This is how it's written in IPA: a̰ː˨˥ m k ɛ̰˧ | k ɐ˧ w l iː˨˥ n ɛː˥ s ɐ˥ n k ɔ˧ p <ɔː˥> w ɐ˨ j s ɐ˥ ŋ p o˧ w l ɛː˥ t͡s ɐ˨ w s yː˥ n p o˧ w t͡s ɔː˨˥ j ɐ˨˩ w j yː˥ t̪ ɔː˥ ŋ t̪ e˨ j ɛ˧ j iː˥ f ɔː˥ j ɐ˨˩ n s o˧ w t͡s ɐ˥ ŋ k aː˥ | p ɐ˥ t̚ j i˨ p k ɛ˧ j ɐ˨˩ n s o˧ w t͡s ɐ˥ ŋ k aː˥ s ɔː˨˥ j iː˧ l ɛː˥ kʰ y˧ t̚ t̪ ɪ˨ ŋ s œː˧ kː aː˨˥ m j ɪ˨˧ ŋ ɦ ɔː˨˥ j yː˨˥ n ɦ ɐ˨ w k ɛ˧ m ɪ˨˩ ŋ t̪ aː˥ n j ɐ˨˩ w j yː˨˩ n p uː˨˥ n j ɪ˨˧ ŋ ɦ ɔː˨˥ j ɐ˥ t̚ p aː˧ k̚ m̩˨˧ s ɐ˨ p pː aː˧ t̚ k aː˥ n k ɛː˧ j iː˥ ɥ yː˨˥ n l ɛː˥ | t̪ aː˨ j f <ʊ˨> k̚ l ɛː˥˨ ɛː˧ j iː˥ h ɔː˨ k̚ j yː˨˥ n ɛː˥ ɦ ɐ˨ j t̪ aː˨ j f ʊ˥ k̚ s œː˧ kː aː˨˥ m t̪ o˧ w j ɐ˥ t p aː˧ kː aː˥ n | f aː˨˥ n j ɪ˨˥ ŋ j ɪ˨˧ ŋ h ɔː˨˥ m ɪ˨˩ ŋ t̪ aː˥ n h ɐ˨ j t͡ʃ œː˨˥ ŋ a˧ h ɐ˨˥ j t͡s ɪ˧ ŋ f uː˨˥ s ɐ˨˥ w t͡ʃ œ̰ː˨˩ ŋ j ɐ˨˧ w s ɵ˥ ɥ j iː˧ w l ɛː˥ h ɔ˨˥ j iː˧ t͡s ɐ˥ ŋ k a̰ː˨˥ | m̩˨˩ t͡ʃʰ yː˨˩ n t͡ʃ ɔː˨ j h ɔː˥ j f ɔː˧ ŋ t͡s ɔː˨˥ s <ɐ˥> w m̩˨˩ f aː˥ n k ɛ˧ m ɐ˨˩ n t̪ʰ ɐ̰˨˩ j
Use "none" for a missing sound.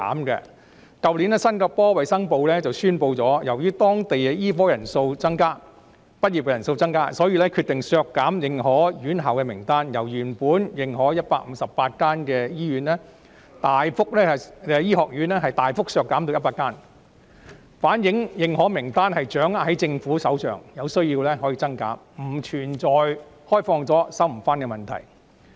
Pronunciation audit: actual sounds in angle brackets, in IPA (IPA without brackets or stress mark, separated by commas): ɔː˥, ʊ˥, ɐ˥